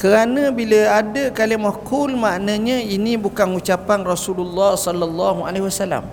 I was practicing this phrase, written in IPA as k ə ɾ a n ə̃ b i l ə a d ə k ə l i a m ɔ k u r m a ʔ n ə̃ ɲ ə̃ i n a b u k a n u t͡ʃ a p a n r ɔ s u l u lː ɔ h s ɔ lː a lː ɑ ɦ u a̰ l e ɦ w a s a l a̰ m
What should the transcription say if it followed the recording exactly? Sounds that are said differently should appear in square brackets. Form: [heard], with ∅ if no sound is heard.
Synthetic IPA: k ə ɾ a n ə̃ b i l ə a d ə k [a] l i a m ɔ k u [l] m a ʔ n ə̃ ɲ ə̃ i n [i] b u k a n u t͡ʃ a p a n r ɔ s u l u lː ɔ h s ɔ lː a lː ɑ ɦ u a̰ l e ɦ w a s a l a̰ m